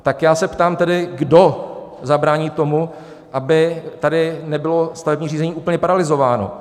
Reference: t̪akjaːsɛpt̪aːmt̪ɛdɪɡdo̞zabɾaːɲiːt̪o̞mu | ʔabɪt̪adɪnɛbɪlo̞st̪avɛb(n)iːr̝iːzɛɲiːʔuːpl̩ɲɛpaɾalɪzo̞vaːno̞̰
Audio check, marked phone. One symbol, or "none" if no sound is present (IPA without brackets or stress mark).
ɲ